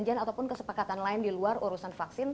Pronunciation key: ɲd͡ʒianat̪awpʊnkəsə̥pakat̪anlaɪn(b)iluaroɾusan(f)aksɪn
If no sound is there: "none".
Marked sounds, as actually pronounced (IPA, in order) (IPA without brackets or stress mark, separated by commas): d, f